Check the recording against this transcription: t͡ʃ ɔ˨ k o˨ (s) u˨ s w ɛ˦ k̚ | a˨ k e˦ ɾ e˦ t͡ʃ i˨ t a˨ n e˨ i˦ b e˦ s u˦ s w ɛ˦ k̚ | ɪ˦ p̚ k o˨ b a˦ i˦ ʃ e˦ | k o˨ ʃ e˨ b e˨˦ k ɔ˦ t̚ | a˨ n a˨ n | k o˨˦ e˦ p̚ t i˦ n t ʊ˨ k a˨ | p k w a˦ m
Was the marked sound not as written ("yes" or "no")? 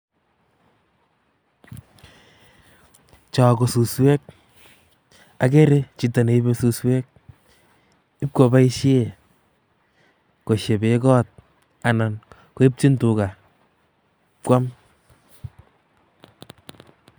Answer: no